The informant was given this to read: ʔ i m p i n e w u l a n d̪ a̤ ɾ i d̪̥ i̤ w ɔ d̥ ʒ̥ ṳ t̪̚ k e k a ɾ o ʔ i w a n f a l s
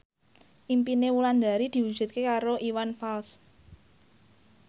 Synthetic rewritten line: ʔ i m p i n e w u l a n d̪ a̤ ɾ i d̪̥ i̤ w u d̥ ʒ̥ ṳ t̪̚ k e k a ɾ o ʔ i w a n f a l s

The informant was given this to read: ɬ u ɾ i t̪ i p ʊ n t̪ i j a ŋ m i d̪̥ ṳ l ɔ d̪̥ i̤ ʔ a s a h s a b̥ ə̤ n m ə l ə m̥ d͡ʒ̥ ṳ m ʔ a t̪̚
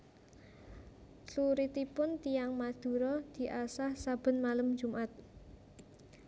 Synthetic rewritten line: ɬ u ɾ i t̪ i p ʊ n t̪ i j a ŋ m a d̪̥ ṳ ɾ ɔ d̪̥ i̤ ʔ a s a h s a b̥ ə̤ n m a l ə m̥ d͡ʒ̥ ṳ m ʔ a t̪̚

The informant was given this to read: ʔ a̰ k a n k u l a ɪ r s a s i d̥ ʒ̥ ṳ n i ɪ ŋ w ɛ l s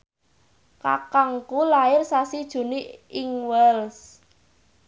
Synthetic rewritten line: k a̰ k a ŋ k u l a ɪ r s a s i d̥ ʒ̥ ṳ n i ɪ ŋ w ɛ l s

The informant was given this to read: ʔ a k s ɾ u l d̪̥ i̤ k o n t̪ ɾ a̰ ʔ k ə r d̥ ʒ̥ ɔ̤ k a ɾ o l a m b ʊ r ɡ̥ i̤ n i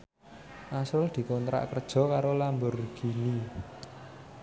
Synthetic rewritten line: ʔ a s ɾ ʊ l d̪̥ i̤ k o n t̪ ɾ a̰ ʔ k ə r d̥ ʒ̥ ɔ̤ k a ɾ o l a m b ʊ r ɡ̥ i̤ n i

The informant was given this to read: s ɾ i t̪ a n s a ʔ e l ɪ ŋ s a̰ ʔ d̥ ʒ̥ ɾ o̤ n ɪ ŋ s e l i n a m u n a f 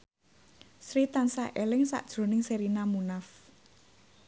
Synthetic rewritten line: s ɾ i t̪ a n s a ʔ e l ɪ ŋ s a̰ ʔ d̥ ʒ̥ ɾ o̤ n ɪ ŋ s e ɾ i n a m u n a f

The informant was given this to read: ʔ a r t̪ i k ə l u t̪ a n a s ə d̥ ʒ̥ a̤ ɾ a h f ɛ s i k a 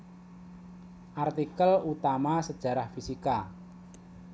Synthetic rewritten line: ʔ a r t̪ i k ə l u t̪ a m a s ə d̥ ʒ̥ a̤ ɾ a h f i s i k a

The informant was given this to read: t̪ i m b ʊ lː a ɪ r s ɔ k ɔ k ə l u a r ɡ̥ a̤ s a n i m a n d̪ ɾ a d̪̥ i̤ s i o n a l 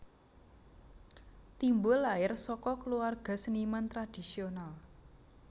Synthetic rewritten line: t̪ i m b ʊ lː a ɪ r s ɔ k ɔ k ə l u a r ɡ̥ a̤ s ə n i m a n t̪ ɾ a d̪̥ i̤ s i o n a l

